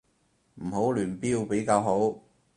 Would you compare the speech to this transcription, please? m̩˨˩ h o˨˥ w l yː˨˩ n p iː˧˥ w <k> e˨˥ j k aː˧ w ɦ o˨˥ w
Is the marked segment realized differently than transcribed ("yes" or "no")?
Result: yes